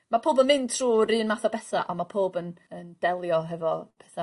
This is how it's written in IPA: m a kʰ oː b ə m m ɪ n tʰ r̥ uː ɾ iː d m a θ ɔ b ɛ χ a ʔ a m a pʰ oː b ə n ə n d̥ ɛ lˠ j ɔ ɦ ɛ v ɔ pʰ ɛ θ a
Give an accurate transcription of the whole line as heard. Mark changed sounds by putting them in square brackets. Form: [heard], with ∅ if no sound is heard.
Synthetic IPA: m a [pʰ] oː b ə [n] m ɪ n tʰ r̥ uː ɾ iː [n] m a θ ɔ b ɛ [θ] a ʔ a m a pʰ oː b ə n ə n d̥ ɛ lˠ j ɔ ɦ ɛ v ɔ pʰ ɛ θ a